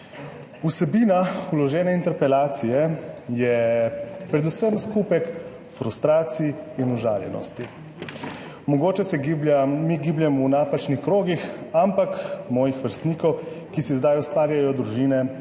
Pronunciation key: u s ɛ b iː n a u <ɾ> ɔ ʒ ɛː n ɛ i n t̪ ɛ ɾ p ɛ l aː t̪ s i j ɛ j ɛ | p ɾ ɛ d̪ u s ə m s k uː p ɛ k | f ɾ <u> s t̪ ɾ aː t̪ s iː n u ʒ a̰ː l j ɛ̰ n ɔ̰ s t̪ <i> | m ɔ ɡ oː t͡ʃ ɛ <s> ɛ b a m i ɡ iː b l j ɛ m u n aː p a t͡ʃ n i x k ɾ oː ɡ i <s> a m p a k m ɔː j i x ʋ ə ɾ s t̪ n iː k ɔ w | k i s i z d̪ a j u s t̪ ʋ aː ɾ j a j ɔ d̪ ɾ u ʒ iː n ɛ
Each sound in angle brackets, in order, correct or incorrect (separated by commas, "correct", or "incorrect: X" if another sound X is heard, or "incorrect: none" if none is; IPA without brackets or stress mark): incorrect: l, correct, correct, correct, incorrect: x